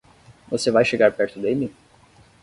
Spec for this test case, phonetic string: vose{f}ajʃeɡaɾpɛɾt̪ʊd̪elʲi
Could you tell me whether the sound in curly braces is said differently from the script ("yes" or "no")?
yes